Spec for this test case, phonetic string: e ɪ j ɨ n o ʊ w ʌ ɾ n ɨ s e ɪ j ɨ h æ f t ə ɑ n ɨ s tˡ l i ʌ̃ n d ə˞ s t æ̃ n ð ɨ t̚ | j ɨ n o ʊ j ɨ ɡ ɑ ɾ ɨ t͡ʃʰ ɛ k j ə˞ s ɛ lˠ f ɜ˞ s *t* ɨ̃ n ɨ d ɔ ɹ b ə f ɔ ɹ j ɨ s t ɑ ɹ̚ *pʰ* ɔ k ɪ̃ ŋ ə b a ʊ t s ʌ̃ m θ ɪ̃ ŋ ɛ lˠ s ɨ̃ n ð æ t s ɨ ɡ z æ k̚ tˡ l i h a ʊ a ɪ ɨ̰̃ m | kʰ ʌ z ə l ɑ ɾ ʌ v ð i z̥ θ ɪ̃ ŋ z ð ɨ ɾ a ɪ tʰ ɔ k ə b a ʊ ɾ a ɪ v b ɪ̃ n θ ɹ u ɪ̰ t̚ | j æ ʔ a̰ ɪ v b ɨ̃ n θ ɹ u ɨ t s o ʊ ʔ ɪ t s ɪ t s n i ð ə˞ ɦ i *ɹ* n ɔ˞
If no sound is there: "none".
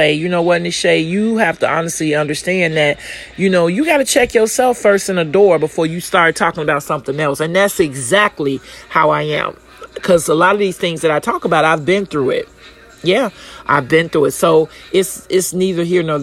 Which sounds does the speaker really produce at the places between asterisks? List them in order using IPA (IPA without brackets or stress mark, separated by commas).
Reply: t, tʰ, ɹ